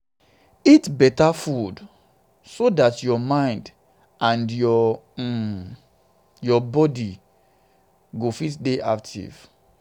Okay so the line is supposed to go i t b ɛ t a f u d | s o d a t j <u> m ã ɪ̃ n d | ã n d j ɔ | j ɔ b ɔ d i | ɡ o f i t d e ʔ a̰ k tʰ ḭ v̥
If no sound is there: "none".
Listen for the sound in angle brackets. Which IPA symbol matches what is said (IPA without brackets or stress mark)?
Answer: ɔ